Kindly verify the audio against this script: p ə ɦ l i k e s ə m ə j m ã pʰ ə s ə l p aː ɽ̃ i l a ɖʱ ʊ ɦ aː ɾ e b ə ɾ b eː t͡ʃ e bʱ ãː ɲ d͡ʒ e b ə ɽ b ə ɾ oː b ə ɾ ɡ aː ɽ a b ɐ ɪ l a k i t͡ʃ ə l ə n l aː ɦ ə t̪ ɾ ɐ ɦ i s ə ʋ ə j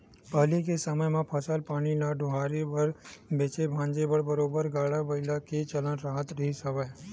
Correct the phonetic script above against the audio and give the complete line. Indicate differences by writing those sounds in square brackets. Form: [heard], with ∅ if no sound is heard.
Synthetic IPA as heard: p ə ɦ l i k e s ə m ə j m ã pʰ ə s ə l p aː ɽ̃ i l a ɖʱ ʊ ɦ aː ɾ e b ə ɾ b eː t͡ʃ e bʱ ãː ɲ d͡ʒ e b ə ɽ b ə ɾ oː b ə ɾ ɡ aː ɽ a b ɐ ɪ l a k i t͡ʃ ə l ə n [ɾ] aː ɦ ə t̪ ɾ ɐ ɦ i s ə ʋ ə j